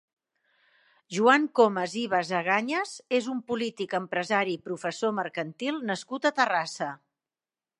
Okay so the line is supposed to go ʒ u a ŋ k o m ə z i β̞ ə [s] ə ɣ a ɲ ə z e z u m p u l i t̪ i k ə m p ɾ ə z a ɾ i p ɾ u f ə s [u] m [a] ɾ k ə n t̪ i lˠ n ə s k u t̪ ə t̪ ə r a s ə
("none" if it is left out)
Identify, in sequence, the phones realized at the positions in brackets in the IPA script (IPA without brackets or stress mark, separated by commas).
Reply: z, o, ə